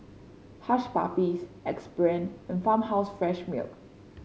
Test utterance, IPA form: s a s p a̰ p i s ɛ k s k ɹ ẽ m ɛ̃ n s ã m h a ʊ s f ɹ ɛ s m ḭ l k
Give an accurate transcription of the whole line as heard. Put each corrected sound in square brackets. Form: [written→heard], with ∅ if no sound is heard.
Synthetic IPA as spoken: [s→h] a [s→ʃ] p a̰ p i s ɛ k s [k→p] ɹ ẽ [m→n] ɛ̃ n [s→f] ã m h a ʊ s f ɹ ɛ [s→ʃ] m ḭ l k